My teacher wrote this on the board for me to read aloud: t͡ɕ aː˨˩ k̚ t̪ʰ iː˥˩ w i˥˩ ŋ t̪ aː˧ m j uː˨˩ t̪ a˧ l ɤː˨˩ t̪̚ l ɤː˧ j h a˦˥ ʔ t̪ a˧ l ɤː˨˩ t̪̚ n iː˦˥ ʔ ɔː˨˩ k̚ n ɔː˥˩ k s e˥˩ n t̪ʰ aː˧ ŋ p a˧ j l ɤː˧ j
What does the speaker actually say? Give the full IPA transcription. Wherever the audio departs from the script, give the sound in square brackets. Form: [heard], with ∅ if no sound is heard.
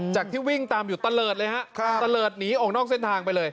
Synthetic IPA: t͡ɕ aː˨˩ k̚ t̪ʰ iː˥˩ w i˥˩ ŋ t̪ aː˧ m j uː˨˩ t̪ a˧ l ɤː˨˩ t̪̚ l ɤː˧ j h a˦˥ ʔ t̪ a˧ l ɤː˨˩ t̪̚ n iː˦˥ ʔ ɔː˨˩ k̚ n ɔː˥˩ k s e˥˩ n t̪ʰ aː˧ ŋ p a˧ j l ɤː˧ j

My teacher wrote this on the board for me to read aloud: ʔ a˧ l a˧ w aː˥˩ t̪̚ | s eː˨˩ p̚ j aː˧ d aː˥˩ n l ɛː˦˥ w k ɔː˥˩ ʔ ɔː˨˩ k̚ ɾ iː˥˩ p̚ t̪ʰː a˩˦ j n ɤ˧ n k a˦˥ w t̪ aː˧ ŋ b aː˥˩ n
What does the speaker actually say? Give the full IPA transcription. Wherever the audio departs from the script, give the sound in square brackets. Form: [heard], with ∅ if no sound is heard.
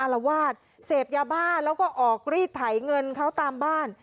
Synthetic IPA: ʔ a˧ l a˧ w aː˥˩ t̪̚ | s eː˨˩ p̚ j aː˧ [b] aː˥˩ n l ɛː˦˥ w k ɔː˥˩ ʔ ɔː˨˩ k̚ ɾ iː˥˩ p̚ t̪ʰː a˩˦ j [ŋ] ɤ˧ n [kʰ] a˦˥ w t̪ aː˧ [m] b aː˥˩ n

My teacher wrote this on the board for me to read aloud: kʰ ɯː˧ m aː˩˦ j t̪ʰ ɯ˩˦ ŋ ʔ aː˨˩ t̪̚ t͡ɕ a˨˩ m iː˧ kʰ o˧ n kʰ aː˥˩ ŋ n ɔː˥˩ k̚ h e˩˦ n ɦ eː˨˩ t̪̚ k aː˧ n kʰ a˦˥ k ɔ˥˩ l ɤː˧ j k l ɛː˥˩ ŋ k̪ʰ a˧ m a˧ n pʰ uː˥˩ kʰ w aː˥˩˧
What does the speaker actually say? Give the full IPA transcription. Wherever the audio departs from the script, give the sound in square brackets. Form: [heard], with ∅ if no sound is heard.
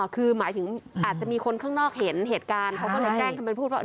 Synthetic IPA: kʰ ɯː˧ m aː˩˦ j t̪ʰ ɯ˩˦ ŋ ʔ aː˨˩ t̪̚ t͡ɕ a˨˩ m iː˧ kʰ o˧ n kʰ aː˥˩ ŋ n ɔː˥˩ k̚ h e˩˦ n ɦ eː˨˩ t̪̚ k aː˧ n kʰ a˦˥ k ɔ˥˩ l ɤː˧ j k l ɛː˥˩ ŋ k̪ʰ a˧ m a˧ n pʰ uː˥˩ [∅] w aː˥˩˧

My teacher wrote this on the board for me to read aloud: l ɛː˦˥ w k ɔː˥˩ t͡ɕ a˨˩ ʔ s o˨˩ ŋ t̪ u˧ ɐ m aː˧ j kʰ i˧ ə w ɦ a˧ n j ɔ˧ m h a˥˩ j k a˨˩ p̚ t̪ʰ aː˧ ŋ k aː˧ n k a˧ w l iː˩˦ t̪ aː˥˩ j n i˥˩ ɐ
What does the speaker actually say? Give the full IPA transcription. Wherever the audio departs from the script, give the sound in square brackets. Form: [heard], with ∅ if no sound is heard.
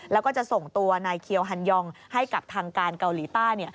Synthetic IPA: l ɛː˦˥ w k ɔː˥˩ t͡ɕ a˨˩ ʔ s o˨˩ ŋ t̪ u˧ ɐ [n] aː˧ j kʰ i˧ ə w ɦ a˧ n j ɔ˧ [ŋ] h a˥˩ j k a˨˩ p̚ t̪ʰ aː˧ ŋ k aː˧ n k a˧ w l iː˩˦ t̪ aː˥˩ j n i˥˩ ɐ

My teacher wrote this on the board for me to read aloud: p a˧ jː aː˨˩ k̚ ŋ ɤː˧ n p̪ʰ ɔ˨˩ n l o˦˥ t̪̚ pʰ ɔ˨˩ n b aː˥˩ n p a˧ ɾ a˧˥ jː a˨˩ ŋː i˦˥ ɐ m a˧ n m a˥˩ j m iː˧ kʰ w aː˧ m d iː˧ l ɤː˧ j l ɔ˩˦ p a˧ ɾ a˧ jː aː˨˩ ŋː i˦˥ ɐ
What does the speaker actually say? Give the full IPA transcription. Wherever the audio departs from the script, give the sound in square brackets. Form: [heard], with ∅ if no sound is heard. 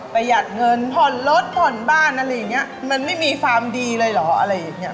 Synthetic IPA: p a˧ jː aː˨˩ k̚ ŋ [ɤ˧] n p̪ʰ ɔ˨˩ n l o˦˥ t̪̚ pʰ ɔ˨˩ n b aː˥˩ n [ʔ] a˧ ɾ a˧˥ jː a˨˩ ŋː i˦˥ ɐ m a˧ n m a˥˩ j m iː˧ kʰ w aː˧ m d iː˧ l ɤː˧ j l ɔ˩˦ [ʔ] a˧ ɾ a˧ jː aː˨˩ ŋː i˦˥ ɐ

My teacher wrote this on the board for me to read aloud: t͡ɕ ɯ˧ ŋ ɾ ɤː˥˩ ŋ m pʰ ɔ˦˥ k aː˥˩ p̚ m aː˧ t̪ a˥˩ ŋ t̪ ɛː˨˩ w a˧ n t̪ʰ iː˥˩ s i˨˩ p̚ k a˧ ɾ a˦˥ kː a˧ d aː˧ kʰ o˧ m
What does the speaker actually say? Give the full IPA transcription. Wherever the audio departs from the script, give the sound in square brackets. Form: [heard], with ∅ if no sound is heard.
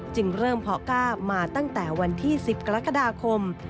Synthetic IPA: t͡ɕ ɯ˧ ŋ ɾ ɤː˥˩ [∅] m pʰ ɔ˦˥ k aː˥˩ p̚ m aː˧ t̪ a˥˩ ŋ t̪ ɛː˨˩ w a˧ n t̪ʰ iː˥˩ s i˨˩ p̚ k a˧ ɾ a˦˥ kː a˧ d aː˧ kʰ o˧ m

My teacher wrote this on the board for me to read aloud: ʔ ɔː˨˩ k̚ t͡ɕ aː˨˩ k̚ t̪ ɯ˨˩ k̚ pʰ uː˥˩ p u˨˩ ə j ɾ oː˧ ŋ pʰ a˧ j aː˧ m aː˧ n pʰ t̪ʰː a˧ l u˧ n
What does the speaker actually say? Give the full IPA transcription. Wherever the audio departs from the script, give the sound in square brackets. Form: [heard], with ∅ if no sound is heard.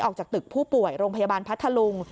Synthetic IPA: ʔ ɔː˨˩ k̚ t͡ɕ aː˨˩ k̚ t̪ ɯ˨˩ k̚ pʰ uː˥˩ p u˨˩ ə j ɾ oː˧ ŋ pʰ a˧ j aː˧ [b] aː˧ n pʰ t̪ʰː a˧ l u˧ [ŋ]

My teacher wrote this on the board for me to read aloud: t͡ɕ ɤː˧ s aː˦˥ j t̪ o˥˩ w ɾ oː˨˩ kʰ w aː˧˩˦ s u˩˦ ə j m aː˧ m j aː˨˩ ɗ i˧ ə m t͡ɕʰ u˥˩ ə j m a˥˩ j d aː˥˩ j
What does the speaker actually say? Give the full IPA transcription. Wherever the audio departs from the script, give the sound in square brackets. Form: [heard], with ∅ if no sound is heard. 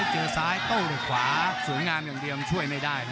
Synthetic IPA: t͡ɕ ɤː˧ s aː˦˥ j t̪ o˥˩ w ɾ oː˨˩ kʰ w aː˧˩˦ s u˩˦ ə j [ŋ] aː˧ m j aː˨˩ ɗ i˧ ə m t͡ɕʰ u˥˩ ə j m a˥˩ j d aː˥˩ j

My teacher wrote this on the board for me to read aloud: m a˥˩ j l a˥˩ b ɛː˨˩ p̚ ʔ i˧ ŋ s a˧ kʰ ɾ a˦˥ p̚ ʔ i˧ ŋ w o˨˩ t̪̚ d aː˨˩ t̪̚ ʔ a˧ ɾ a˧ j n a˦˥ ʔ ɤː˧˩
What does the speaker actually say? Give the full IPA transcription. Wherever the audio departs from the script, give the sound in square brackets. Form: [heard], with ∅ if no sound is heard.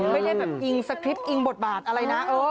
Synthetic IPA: m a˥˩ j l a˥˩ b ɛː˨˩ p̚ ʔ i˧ ŋ s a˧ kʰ ɾ [i˦˥] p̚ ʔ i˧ ŋ [b] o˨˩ t̪̚ [b] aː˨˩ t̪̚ ʔ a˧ ɾ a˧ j n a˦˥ ʔ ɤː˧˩

